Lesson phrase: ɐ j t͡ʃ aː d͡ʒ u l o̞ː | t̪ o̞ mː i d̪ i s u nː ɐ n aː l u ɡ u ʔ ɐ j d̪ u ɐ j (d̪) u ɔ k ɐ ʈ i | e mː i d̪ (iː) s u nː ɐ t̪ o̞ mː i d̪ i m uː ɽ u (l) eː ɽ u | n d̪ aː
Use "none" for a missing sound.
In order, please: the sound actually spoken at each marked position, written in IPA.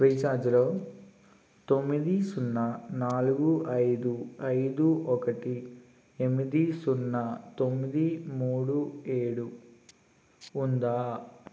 d̪, i, none

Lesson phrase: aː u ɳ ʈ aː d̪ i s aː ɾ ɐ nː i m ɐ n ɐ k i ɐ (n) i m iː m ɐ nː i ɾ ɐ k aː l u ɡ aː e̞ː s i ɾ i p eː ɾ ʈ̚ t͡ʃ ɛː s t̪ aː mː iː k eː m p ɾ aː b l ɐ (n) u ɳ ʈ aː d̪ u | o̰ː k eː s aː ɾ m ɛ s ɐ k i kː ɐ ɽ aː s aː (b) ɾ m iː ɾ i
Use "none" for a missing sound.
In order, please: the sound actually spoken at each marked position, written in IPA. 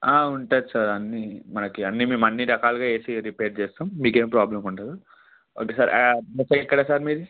nː, m, none

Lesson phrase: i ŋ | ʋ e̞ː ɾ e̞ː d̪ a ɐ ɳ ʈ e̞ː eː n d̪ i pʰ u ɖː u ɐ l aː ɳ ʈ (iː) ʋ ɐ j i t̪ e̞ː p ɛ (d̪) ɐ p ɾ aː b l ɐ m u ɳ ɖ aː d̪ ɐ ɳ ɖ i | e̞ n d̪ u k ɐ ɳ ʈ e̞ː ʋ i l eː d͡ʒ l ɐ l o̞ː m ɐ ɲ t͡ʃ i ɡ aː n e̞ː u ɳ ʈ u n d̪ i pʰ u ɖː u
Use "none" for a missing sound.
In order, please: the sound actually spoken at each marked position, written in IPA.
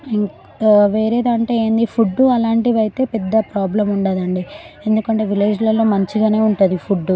i, d̪ː

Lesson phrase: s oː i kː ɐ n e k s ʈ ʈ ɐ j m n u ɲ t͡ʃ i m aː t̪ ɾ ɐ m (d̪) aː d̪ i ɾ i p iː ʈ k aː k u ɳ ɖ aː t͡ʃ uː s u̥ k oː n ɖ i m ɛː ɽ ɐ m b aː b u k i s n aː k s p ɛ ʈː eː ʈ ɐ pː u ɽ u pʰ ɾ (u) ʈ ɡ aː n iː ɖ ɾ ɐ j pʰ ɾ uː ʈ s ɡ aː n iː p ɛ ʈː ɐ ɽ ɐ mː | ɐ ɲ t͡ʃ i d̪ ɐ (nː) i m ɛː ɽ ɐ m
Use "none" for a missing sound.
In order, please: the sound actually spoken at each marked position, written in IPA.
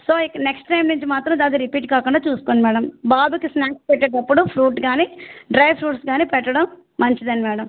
d̪, uː, n

